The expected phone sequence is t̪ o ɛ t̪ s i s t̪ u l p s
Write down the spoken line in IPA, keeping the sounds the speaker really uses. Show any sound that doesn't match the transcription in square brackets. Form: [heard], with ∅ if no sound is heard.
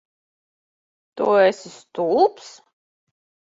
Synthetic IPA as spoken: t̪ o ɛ [∅] s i s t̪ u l p s